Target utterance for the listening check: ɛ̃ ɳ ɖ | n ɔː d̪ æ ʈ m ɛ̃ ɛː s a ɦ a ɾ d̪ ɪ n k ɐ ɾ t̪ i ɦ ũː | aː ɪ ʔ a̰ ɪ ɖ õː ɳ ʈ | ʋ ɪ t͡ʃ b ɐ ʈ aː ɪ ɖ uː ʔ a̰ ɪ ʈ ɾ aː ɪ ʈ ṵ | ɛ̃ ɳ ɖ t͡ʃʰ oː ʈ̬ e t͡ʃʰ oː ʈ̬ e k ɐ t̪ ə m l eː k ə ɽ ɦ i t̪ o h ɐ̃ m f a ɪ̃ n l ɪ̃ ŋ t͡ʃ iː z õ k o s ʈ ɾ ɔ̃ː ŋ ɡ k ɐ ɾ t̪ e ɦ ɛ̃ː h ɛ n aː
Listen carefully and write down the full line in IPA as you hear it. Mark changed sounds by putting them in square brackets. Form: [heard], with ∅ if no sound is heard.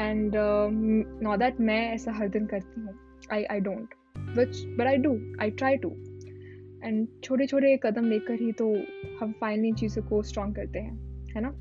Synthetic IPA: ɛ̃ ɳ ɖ | n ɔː d̪ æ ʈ m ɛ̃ ɛː s a ɦ [ɐ] ɾ d̪ ɪ n k ɐ ɾ t̪ i ɦ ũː | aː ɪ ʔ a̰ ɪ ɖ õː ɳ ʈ | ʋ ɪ t͡ʃ b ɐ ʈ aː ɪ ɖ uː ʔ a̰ ɪ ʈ ɾ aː ɪ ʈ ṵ | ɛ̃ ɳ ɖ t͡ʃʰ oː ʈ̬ e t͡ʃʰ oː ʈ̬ e k ɐ [d̪] ə m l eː k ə [ɾ] ɦ i t̪ o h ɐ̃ m f a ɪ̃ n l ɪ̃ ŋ t͡ʃ iː z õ k o s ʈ ɾ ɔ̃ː ŋ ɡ k ɐ ɾ t̪ e ɦ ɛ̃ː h ɛ n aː